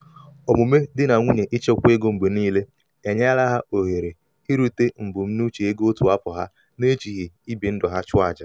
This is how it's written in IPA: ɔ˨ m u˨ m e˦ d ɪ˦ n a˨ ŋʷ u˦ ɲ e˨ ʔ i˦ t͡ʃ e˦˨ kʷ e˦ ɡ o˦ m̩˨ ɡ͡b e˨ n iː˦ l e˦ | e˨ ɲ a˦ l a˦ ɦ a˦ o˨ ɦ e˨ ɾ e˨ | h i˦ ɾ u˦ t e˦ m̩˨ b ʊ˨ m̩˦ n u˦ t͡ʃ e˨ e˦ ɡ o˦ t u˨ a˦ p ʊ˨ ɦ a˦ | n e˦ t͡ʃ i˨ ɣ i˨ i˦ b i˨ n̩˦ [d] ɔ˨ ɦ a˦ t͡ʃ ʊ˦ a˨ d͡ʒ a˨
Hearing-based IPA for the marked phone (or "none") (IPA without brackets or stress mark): d